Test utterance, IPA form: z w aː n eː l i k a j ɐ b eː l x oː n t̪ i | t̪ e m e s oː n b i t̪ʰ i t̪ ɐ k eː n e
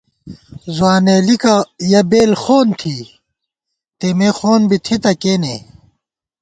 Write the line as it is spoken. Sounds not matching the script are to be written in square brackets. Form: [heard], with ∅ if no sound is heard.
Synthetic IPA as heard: z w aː n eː l i k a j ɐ b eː l x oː n [t̪ʰ] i | t̪ e m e [x] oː n b i t̪ʰ i t̪ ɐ k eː n e